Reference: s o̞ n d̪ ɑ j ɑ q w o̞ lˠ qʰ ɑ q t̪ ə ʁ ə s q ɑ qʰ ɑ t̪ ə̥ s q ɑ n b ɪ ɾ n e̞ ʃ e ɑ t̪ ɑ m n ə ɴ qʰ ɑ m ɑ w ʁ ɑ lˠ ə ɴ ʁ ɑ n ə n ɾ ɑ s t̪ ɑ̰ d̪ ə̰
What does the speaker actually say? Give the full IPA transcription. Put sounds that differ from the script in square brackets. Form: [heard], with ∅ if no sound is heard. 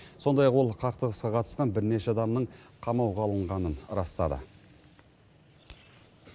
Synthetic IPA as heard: s o̞ n d̪ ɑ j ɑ q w o̞ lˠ qʰ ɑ q t̪ ə ʁ ə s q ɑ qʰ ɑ t̪ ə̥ s q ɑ n b ɪ ɾ n e̞ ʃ e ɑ [d̪] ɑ m n ə ɴ qʰ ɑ m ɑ w ʁ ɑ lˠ ə ɴ ʁ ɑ n ə n ɾ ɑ s t̪ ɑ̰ d̪ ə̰